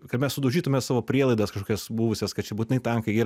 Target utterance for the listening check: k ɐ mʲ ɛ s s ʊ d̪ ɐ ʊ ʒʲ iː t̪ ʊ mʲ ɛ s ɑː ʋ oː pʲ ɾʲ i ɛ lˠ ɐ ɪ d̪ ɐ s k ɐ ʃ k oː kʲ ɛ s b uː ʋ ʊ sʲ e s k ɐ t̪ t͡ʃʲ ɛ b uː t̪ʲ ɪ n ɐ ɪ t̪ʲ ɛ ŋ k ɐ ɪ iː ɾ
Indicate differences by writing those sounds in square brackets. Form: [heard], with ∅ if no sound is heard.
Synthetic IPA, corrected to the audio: k ɐ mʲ ɛ s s ʊ d̪ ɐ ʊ ʒʲ iː t̪ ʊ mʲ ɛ s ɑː ʋ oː pʲ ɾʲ i ɛ lˠ ɐ ɪ d̪ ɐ s k ɐ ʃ k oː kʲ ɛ s b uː ʋ ʊ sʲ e s k ɐ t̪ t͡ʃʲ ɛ b uː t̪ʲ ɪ n ɐ ɪ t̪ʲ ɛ ŋ k ɐ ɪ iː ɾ